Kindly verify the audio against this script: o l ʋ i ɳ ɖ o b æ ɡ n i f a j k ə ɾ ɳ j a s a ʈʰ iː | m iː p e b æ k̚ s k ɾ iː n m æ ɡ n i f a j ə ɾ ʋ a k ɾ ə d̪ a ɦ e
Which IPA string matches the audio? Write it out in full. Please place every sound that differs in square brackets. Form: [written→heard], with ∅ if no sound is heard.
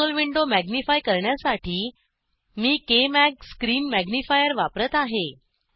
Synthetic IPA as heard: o l ʋ i ɳ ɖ o [b→m] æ ɡ n i f a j k ə ɾ ɳ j a s a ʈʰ iː | m iː [p→k] e [b→m] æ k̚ s k ɾ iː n m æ ɡ n i f a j ə ɾ ʋ a [k→p] ɾ ə [d̪→t̪] a ɦ e